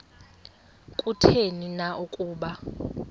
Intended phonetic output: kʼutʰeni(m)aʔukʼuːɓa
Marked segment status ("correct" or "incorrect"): incorrect